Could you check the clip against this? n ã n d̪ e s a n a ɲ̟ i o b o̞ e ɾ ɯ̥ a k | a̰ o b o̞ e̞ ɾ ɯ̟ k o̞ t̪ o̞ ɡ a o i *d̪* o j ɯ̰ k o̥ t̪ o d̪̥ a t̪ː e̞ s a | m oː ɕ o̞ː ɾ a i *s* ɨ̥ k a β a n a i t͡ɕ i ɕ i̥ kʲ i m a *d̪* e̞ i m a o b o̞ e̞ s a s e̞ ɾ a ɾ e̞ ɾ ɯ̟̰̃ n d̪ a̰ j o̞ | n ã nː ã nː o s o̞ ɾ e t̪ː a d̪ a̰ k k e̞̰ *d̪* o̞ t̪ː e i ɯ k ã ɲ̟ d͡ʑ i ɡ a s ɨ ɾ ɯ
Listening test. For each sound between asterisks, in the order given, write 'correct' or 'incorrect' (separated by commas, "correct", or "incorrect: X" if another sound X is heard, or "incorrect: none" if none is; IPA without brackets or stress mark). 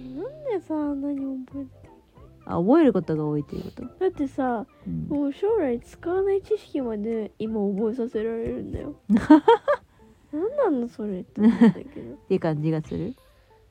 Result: incorrect: t̪, incorrect: t͡s, correct, correct